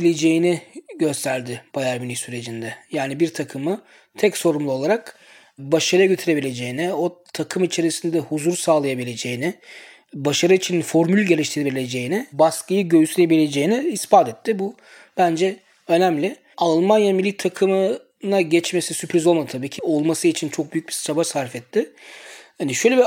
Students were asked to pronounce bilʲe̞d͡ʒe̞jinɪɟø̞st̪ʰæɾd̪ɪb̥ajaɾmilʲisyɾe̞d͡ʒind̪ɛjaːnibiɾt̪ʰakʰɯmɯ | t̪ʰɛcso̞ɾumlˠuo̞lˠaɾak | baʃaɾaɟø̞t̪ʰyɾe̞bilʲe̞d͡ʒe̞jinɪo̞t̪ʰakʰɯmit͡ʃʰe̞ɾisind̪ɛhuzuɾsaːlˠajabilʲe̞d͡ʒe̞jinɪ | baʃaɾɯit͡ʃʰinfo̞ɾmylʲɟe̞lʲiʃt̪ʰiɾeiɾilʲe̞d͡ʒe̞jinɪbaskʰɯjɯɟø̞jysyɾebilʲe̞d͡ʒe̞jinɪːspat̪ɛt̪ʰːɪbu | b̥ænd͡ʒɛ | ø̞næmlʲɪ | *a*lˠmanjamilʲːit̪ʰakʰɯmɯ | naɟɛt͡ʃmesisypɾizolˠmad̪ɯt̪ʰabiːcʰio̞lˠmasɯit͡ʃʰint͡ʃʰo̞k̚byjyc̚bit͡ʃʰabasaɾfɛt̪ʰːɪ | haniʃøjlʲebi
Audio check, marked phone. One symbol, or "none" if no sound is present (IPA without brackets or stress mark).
a